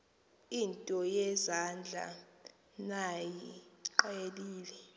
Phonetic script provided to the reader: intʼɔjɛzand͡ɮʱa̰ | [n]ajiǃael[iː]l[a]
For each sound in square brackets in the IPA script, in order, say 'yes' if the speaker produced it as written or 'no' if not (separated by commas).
yes, yes, no